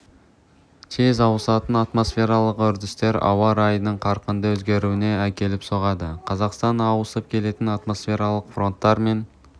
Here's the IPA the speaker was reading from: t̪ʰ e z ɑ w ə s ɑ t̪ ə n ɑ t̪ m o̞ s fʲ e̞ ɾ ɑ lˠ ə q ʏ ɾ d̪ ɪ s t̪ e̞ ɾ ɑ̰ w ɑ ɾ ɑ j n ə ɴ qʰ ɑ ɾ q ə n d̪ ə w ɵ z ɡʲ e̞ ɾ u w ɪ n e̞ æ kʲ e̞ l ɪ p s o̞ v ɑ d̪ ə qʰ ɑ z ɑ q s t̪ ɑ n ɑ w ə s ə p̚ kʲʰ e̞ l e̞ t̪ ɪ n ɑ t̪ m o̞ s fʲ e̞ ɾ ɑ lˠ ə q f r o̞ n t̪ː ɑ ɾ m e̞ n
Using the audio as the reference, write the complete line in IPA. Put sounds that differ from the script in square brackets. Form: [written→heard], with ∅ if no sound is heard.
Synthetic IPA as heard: t̪ʰ e z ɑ w ə s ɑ t̪ ə n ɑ t̪ m o̞ s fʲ e̞ ɾ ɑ lˠ ə q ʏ ɾ d̪ ɪ s t̪ e̞ ɾ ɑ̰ w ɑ ɾ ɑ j n ə ɴ qʰ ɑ ɾ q ə n d̪ ə w ɵ z ɡʲ e̞ ɾ u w ɪ n e̞ æ kʲ e̞ l ɪ p s o̞ [v→ʁ] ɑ d̪ ə qʰ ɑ z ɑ q s t̪ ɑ n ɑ w ə s ə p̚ kʲʰ e̞ l e̞ t̪ ɪ n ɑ t̪ m o̞ s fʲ e̞ ɾ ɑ lˠ ə q f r o̞ n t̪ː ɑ ɾ m e̞ n